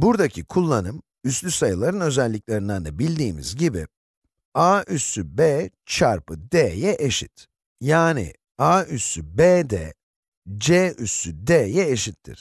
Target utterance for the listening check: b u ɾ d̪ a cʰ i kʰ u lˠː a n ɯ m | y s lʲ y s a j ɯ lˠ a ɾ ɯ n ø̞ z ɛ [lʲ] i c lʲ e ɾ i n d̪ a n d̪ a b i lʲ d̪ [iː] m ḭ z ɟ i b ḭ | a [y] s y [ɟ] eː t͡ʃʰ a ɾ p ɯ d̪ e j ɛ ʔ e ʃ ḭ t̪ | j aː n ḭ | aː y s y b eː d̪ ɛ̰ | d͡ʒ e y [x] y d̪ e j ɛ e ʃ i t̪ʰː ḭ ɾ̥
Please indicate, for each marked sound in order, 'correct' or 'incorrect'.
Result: incorrect, correct, correct, incorrect, incorrect

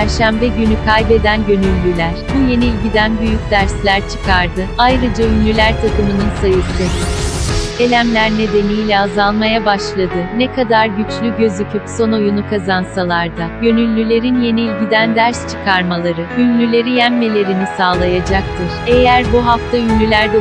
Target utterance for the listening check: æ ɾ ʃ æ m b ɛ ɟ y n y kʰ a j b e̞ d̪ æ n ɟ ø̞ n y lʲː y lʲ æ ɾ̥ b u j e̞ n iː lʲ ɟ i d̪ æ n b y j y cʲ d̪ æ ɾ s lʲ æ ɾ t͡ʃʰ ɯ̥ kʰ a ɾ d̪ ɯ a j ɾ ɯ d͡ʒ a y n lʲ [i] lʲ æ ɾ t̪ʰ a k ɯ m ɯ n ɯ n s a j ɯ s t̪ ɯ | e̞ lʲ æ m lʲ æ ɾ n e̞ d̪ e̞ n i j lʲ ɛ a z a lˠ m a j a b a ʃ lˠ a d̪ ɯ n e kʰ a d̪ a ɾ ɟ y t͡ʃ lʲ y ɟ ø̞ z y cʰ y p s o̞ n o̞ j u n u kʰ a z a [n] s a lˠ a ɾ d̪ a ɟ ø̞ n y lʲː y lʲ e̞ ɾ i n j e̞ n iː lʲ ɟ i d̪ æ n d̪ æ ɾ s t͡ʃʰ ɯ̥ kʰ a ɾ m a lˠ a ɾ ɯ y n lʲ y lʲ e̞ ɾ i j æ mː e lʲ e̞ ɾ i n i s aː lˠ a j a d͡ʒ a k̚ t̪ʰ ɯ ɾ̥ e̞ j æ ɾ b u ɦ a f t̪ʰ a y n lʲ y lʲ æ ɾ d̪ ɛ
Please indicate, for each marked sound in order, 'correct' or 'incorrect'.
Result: incorrect, correct

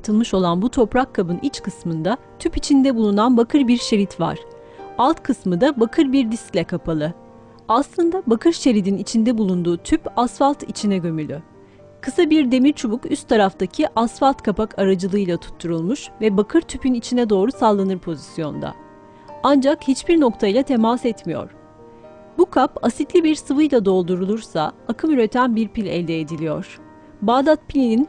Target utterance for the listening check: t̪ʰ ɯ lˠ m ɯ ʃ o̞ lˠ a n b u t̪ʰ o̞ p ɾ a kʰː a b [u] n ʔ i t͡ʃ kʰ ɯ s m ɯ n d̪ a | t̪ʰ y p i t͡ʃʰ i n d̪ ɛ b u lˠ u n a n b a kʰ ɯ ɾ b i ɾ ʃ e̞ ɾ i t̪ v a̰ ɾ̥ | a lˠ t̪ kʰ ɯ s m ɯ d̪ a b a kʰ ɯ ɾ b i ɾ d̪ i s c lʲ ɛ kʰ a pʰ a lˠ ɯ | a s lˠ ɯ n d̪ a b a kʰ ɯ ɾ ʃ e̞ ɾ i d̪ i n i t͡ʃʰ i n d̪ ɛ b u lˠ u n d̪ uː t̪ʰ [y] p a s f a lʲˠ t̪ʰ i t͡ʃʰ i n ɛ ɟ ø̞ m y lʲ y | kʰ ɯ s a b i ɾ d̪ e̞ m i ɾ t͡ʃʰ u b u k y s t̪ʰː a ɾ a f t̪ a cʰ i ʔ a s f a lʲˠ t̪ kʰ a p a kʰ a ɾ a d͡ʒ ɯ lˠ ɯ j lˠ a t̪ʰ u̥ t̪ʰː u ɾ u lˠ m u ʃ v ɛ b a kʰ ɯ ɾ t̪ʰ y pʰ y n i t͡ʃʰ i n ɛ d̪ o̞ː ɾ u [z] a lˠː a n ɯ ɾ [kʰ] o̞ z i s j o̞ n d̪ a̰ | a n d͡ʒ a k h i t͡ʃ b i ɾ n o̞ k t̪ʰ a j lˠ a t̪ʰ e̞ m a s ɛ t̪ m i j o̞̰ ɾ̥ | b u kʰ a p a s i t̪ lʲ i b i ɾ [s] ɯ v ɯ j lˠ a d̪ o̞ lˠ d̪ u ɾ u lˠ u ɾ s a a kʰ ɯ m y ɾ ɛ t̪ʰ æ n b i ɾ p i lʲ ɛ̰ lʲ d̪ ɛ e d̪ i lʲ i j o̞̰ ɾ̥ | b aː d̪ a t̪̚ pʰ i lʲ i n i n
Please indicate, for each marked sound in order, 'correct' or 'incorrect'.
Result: incorrect, correct, incorrect, incorrect, correct

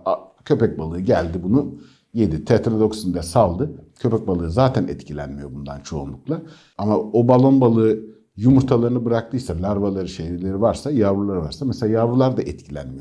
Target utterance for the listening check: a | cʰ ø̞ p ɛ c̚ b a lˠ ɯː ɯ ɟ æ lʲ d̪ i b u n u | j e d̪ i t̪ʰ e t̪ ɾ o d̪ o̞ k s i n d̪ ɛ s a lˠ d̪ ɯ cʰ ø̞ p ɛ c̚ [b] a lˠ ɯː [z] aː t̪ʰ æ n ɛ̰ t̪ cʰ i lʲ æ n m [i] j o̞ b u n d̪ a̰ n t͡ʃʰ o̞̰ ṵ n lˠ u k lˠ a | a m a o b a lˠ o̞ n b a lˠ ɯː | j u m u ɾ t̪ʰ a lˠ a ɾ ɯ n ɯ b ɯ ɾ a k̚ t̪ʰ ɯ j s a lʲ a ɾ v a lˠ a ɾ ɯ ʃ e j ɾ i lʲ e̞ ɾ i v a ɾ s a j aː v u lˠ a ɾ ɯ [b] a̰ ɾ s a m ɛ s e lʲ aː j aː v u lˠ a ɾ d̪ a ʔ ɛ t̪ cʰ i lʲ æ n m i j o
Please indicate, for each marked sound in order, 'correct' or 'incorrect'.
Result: correct, correct, correct, incorrect

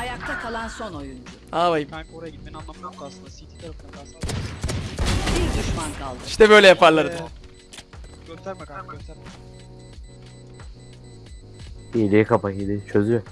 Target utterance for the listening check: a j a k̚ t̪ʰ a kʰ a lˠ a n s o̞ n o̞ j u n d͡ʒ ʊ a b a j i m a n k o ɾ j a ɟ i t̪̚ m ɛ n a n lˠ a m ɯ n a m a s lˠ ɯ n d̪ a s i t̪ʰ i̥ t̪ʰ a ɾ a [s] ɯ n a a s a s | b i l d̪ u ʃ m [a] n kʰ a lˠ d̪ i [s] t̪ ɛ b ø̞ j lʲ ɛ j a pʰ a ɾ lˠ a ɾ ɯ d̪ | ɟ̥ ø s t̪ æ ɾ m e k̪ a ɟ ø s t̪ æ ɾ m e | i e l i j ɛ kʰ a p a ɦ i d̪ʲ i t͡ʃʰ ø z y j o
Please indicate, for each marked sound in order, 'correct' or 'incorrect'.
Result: incorrect, correct, incorrect

